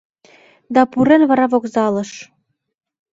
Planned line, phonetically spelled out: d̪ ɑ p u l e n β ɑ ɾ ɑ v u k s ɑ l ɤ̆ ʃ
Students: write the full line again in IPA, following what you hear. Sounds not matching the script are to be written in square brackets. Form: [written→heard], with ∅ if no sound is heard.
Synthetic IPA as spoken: d̪ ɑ p u [l→ɾ] e n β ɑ ɾ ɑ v [u→o] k [s→z] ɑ l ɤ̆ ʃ